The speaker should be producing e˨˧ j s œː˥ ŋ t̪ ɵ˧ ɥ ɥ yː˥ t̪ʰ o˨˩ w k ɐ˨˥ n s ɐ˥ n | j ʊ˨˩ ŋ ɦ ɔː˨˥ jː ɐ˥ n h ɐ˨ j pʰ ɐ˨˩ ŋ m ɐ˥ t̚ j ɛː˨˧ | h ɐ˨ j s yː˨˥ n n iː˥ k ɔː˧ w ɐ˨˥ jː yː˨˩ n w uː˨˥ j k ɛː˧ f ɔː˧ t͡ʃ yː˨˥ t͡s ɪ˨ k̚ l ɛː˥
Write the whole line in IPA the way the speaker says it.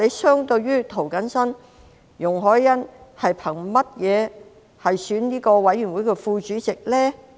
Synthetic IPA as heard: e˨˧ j s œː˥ ŋ t̪ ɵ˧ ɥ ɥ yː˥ t̪ʰ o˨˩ w k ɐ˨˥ n s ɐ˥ n | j ʊ˨˩ ŋ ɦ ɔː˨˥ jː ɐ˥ n h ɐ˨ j pʰ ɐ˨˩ ŋ m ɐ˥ t̚ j ɛː˨˧ | h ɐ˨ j s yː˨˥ n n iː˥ k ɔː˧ w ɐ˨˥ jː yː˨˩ n w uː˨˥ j k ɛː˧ f uː˧ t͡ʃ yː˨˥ t͡s ɪ˨ k̚ l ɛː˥